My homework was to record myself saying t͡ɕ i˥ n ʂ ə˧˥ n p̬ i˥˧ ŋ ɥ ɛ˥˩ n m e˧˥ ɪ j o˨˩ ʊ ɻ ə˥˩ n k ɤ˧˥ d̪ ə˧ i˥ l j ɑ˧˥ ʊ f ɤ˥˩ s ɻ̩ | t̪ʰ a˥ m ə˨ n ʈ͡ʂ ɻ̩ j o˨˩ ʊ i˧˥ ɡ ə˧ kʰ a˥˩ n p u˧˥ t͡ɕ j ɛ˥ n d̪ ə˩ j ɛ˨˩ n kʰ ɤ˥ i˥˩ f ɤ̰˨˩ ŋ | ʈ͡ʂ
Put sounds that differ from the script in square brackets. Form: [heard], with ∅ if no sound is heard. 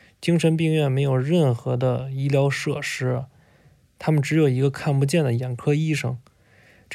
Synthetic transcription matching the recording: t͡ɕ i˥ [ŋ] ʂ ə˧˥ n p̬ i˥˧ ŋ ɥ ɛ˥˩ n m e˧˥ ɪ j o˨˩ ʊ ɻ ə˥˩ n [x] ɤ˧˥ d̪ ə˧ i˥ l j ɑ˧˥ ʊ [ʂ] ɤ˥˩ [ʂ] ɻ̩ | t̪ʰ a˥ m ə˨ n ʈ͡ʂ ɻ̩ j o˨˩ ʊ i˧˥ ɡ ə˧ kʰ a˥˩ n p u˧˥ t͡ɕ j [ɛ˥˩] n d̪ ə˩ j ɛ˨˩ n kʰ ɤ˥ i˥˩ [ʂ] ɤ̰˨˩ ŋ | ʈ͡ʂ